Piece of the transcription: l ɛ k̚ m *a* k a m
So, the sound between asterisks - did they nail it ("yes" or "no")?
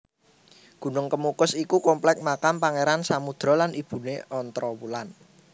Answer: yes